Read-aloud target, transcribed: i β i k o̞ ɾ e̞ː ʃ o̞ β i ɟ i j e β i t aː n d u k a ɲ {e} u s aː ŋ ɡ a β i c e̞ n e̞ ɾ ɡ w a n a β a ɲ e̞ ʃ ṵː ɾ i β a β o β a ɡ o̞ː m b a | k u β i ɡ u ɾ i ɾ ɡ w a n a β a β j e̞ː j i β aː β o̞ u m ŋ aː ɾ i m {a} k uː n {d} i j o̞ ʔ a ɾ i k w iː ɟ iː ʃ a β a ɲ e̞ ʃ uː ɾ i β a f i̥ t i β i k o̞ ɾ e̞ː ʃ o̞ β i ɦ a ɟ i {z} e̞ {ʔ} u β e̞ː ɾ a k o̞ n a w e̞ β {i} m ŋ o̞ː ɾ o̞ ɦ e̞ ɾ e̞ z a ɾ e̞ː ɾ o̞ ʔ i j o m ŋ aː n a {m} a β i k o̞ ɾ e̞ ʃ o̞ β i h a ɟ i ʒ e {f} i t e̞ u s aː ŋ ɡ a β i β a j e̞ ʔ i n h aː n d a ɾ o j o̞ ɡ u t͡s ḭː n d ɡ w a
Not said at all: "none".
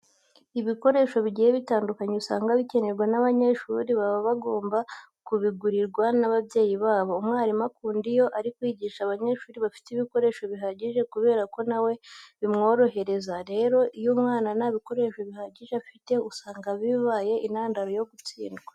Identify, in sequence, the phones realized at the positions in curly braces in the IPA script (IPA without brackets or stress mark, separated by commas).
e, a, d, ʒ, k, i, n, f